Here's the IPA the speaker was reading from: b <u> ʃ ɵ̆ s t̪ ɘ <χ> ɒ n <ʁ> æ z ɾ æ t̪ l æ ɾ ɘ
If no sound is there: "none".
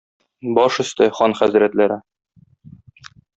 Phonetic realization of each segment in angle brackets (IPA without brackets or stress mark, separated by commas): ɒ, χ, χ